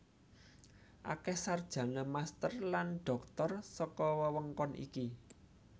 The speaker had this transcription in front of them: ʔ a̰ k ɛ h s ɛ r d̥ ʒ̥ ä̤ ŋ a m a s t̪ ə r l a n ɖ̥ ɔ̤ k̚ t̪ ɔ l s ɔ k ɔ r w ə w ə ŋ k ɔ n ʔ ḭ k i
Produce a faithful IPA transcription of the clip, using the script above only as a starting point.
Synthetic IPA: ʔ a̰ k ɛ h s a r d̥ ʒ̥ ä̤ n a m a s t̪ ə r l a n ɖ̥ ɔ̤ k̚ t̪ ɔ r s ɔ k ɔ w ə w ə ŋ k ɔ n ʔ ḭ k i